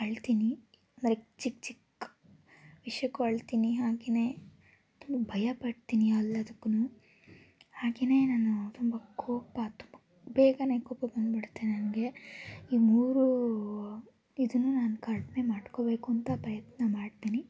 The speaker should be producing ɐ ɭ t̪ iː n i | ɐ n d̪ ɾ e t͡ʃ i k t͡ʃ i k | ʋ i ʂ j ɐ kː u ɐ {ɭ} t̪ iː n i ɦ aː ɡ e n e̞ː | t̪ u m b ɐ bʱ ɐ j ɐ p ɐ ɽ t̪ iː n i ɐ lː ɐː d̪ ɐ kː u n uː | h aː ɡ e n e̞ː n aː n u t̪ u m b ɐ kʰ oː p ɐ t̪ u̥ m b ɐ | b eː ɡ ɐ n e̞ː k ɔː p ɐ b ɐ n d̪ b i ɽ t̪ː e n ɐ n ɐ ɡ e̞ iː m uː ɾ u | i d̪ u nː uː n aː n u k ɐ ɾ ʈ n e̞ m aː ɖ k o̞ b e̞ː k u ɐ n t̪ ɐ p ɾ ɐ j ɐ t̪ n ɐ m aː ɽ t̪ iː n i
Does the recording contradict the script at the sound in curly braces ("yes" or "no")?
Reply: no